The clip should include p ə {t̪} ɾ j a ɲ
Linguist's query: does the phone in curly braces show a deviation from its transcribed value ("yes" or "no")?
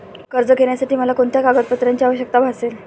no